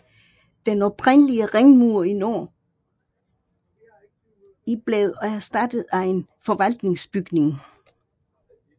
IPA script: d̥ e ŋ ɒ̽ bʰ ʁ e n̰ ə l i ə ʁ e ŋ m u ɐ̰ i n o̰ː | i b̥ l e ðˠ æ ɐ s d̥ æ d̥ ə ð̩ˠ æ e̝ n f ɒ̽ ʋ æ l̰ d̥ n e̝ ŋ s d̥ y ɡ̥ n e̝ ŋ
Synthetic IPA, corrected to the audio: d̥ e n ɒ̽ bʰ ʁ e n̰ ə l i ə ʁ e ŋ m u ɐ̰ i n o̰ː | i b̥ l e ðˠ æ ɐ s d̥ æ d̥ ə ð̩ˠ æ e̝ n f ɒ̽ ʋ æ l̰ d̥ n e̝ ŋ s b̥ y ɡ̥ n e̝ ŋ